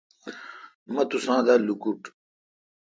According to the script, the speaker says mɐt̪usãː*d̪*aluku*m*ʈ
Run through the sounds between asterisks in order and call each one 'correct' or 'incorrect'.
correct, incorrect

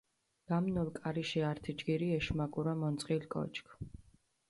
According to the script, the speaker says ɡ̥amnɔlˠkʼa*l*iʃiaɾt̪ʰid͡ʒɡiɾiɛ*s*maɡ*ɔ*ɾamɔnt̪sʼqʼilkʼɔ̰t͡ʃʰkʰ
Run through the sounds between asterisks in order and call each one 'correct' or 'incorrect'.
incorrect, incorrect, incorrect

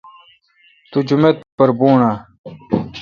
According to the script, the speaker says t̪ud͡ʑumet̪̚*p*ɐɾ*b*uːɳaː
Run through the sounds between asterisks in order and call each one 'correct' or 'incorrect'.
correct, correct

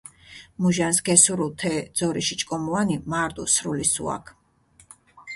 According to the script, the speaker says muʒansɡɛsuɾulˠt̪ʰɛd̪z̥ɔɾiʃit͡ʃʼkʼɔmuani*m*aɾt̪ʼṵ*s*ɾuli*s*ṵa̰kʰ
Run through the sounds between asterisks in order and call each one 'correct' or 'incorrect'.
correct, correct, correct

